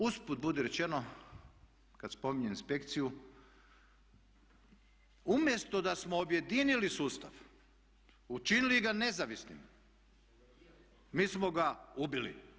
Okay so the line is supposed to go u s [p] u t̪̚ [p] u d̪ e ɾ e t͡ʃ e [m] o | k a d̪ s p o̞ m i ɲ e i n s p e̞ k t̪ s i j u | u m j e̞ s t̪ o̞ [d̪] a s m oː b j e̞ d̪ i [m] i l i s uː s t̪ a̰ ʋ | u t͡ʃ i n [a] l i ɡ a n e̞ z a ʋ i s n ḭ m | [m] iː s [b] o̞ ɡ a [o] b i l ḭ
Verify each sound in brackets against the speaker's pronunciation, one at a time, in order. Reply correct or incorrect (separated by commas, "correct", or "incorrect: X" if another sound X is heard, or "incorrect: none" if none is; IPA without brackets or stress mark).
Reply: correct, incorrect: b, incorrect: n, correct, incorrect: n, incorrect: i, correct, incorrect: m, incorrect: u